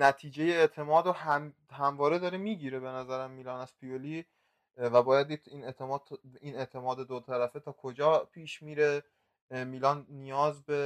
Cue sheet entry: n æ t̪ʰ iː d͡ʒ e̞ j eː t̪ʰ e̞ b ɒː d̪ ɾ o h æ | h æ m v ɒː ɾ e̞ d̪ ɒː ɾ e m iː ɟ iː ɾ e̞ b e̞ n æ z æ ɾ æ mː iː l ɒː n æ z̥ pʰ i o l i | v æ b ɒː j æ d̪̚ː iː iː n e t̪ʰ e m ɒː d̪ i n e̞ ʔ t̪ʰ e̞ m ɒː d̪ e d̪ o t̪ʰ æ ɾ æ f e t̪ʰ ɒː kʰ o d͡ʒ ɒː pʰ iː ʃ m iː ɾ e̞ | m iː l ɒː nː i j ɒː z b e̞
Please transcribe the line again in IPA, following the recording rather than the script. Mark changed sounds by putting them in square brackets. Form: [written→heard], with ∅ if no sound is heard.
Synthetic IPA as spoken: n æ t̪ʰ iː d͡ʒ e̞ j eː t̪ʰ e̞ [b→m] ɒː d̪ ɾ o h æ | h æ m v ɒː ɾ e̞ d̪ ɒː ɾ e m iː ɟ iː ɾ e̞ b e̞ n æ z æ ɾ æ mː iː l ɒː n æ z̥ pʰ i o l i | v æ b ɒː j æ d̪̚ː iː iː n e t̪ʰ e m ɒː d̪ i n e̞ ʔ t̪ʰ e̞ m ɒː d̪ e d̪ o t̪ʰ æ ɾ æ f e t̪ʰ ɒː kʰ o d͡ʒ ɒː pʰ iː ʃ m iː ɾ e̞ | m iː l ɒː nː i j ɒː z b e̞